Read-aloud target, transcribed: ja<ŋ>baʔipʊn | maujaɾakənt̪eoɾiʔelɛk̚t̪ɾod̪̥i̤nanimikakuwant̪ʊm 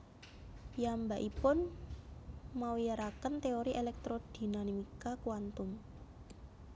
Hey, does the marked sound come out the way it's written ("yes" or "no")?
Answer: no